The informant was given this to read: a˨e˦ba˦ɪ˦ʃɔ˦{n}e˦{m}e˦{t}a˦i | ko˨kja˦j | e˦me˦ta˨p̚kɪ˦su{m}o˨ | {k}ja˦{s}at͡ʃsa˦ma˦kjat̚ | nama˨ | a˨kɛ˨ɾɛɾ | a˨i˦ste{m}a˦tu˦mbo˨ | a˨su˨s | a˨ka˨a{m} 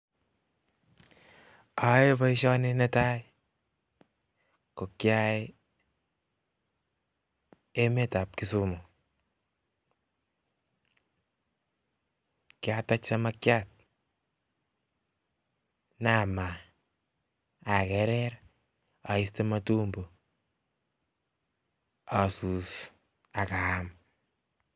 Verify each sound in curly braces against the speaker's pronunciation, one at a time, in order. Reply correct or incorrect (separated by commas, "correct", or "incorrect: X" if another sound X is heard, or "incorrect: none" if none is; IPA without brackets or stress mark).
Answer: correct, incorrect: n, correct, correct, correct, incorrect: t, correct, correct